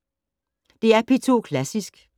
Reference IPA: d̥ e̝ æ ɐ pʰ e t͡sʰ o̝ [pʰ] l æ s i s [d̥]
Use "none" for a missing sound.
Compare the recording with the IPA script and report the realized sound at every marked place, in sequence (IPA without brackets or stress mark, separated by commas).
kʰ, ɡ̥